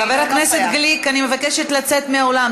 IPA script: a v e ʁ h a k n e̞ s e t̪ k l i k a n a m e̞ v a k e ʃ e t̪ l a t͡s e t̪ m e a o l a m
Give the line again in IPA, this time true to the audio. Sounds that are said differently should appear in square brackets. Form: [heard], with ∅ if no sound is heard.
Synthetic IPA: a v e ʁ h a k n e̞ s e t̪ [ɡ] l i k a n [i] m e̞ v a k e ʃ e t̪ l a t͡s e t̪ m e a o l a m

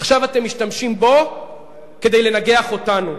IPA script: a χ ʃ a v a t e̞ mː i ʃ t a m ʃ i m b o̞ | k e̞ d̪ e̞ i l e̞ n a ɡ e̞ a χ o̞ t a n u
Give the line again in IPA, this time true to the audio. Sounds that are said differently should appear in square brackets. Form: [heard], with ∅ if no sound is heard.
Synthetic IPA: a χ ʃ a v a t e̞ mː i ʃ t a m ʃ i m b o̞ | k e̞ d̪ e̞ [j] l e̞ n a ɡ e̞ a χ o̞ t a n u

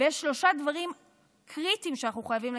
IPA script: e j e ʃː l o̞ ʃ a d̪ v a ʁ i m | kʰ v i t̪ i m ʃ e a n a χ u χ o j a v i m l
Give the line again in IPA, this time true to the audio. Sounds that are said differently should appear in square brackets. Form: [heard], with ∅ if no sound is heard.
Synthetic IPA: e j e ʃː l o̞ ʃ a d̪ v a ʁ i m | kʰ [ʁ] i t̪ i m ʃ e a n a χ u χ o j a v i m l

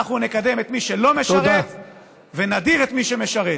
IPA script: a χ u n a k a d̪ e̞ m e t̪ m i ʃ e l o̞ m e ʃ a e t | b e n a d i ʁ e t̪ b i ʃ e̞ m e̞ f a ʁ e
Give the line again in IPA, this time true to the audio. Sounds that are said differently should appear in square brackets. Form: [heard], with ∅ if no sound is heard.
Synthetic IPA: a χ u n [e] k a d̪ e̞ m e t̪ m i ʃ e l o̞ m e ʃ a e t | [v] e n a d i ʁ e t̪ [m] i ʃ e̞ m e̞ [ʃ] a ʁ e

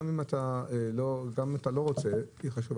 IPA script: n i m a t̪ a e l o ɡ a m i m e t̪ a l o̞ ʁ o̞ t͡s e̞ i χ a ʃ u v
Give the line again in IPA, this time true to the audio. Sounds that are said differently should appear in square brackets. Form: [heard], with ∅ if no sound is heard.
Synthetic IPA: [m] i m a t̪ a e l o ɡ a m i m [a] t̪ a l o̞ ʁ o̞ t͡s e̞ i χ a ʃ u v

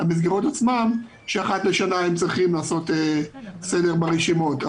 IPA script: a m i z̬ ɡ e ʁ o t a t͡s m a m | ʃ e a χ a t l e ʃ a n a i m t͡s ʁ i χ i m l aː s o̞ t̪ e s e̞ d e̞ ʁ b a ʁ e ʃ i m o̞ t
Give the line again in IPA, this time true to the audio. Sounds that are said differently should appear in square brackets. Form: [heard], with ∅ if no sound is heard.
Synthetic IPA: a m i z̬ ɡ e ʁ o t a t͡s m a m | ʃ e a χ a t l e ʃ a n a [e] m t͡s ʁ i χ i m l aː s o̞ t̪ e s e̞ d e̞ ʁ b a ʁ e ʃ i m o̞ t

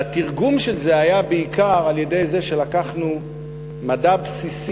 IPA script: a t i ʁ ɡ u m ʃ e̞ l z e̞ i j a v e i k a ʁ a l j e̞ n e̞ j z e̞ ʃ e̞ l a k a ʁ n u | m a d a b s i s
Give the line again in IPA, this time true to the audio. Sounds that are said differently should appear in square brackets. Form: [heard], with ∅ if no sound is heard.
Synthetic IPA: a t i ʁ ɡ u m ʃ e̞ l z e̞ [a] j a [b] e i k a ʁ a l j e̞ [d] e̞ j z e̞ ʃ e̞ l a k a [χ] n u | m a d a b s i s

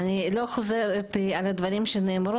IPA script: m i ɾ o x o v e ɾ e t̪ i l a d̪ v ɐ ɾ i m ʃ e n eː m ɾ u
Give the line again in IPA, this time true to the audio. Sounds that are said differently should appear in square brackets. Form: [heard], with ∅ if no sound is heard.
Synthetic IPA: [n] i [l] o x o [z] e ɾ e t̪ [a] l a d̪ v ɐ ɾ i m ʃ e n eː m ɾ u

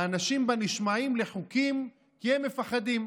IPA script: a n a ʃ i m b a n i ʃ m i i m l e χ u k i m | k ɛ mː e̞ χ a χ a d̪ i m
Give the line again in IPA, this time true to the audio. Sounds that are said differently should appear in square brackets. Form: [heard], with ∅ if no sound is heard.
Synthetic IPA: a n a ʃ i m b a n i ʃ m [a] i m l e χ u k i m | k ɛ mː e̞ [f] a χ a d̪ i m

